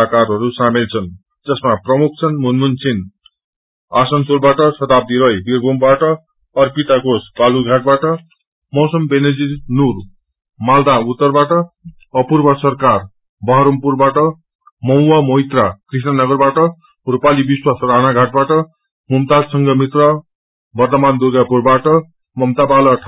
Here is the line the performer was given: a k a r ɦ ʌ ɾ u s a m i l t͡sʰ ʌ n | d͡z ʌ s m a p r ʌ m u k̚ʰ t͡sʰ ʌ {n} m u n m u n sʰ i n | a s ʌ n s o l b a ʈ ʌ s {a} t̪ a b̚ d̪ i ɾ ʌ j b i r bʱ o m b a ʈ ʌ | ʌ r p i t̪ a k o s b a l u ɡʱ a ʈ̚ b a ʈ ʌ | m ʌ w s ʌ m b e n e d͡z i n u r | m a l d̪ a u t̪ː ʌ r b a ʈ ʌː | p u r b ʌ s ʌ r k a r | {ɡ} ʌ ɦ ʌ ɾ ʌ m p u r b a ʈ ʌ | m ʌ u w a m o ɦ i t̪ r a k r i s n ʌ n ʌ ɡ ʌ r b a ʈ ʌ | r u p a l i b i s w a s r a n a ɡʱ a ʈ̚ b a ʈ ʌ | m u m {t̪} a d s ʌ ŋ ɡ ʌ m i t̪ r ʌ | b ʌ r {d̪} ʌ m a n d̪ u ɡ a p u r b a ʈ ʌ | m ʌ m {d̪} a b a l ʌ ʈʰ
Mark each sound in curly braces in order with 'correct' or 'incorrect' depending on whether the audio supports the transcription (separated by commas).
correct, incorrect, incorrect, correct, incorrect, incorrect